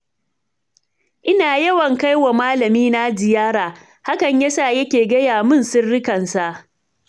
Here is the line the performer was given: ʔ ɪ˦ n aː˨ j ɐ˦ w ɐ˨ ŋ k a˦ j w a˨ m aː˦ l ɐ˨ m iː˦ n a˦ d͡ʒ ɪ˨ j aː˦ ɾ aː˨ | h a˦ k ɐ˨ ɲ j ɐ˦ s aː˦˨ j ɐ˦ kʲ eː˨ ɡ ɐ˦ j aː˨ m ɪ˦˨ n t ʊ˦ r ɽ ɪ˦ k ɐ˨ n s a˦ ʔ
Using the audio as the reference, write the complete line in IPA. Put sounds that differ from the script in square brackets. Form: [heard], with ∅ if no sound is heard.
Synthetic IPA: ʔ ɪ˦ n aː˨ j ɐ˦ w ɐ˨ ŋ k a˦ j w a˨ m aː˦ l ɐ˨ m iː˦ n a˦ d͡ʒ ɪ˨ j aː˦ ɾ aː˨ | h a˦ k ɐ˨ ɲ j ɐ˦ s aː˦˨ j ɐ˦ kʲ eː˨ ɡ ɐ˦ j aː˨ m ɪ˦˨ n [s] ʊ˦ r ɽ ɪ˦ k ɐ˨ n s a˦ ʔ